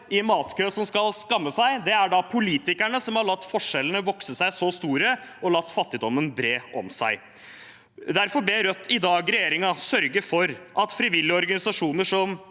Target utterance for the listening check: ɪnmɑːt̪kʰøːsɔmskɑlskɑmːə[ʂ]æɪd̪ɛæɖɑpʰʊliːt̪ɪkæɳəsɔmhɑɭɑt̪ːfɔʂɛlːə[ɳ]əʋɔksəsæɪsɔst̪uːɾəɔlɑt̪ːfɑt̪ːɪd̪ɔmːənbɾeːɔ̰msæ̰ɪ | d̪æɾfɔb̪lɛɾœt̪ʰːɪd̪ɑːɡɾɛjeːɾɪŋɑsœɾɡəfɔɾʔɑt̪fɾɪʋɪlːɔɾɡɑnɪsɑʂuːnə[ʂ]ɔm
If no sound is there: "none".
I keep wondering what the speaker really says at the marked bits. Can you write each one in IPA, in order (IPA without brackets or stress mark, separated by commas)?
s, n, ʂ